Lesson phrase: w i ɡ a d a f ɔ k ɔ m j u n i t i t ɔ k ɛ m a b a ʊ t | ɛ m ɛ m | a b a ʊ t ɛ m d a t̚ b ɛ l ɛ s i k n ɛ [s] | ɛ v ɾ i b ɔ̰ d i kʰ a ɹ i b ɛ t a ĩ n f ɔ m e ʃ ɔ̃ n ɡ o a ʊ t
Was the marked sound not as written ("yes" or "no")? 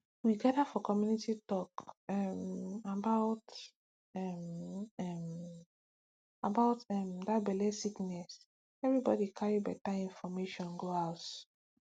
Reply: no